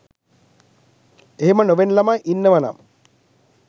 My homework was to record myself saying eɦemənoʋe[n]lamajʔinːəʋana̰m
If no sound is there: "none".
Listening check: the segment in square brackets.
n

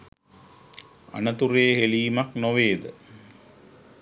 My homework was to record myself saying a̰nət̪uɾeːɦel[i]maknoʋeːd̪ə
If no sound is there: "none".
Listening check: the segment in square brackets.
iː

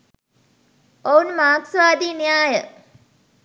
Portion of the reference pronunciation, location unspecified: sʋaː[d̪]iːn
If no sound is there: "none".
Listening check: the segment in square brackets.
d̪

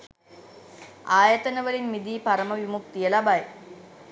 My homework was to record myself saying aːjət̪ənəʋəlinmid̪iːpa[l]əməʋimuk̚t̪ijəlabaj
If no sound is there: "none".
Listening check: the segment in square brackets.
ɾ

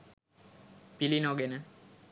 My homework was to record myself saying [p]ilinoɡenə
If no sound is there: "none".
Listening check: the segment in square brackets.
p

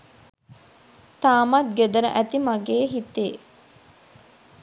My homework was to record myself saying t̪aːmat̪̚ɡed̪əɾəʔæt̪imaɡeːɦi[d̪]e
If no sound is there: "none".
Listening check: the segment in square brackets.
t̪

